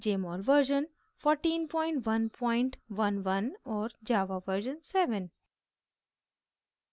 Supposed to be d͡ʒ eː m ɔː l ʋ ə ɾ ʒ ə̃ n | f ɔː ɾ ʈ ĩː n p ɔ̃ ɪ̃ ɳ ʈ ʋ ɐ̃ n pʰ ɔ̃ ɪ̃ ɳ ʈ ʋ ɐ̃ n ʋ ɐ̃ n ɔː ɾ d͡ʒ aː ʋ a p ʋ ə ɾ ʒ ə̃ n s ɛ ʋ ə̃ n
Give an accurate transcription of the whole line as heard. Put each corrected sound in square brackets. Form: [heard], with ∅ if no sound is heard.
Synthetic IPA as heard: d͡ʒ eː m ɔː l ʋ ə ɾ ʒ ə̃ n | f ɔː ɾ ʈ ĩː n p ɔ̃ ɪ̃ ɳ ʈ ʋ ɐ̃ n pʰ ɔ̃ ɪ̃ ɳ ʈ ʋ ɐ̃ n ʋ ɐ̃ n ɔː ɾ d͡ʒ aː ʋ a [∅] ʋ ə ɾ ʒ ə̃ n s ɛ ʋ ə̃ n